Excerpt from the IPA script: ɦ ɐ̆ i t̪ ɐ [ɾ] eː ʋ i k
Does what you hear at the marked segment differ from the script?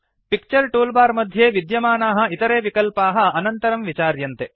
no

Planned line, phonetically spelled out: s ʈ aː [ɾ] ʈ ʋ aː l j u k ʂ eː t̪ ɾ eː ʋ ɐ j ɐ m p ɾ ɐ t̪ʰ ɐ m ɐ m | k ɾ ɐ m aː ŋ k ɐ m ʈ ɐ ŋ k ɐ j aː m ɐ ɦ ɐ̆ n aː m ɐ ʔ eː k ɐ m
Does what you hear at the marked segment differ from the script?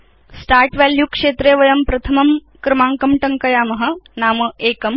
no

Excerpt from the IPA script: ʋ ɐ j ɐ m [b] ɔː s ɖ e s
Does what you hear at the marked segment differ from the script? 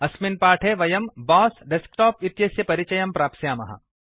no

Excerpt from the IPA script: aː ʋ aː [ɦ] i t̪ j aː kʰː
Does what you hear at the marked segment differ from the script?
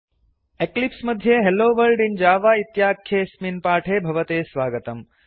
yes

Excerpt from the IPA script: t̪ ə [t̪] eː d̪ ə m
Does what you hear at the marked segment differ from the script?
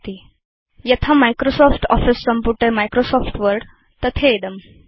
yes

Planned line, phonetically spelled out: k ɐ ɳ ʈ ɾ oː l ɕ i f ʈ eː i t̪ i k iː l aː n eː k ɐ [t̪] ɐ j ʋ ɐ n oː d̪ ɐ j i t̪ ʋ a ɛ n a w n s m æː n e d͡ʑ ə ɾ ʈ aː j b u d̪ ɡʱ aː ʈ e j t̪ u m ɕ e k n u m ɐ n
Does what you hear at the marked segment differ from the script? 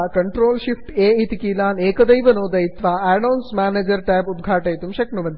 yes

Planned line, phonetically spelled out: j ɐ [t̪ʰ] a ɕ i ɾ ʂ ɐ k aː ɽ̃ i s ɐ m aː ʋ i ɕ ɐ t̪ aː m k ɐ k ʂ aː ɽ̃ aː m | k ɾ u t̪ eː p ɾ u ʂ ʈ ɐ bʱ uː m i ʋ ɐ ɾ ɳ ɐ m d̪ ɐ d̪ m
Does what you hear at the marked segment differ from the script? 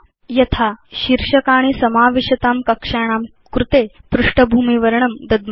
no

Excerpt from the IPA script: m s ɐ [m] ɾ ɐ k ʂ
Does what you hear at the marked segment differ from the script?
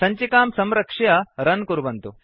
no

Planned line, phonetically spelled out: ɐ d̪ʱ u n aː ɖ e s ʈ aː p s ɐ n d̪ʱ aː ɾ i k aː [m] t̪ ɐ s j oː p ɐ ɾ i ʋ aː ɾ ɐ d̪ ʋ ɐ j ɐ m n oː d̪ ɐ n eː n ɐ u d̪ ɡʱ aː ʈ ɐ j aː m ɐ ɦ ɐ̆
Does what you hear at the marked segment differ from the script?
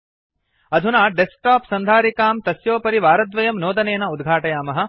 no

